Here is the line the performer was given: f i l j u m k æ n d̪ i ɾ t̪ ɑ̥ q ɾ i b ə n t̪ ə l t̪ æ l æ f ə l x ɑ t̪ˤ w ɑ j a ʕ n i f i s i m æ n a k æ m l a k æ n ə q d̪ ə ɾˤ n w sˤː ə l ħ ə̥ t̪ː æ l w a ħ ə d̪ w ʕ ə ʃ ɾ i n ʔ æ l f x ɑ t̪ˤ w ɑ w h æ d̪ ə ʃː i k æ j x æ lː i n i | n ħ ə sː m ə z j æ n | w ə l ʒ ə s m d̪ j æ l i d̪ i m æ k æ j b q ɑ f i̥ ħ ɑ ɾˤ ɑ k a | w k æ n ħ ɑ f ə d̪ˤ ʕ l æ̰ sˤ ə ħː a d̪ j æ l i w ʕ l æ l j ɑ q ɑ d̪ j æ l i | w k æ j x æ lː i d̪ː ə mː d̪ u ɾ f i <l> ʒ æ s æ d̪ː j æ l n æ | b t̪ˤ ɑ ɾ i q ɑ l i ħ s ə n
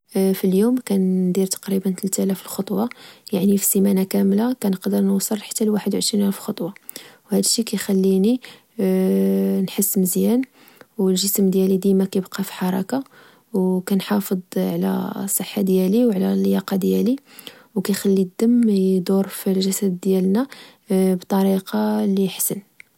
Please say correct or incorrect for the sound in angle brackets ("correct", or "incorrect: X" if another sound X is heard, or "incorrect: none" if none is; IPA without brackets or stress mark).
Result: correct